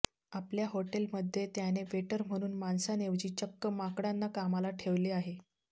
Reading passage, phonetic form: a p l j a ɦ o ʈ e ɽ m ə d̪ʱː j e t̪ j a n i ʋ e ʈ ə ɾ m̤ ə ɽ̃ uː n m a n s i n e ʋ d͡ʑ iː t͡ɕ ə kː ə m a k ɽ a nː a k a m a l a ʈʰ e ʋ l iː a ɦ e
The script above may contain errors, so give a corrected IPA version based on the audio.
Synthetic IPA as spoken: a p l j a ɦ o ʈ e l m ə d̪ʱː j e t̪ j a n e ʋ e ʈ ə ɾ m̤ ə ɽ̃ uː n m a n s a n e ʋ d͡ʑ iː t͡ɕ ə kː ə m a k ɽ a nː a k a m a l a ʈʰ e ʋ l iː a ɦ e